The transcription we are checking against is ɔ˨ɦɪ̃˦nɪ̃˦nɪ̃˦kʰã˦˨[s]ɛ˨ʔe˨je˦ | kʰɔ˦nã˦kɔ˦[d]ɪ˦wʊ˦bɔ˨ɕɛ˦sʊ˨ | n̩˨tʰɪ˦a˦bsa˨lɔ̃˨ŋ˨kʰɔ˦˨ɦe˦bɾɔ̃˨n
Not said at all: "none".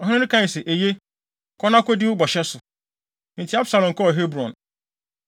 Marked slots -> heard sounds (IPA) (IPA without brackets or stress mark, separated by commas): s, d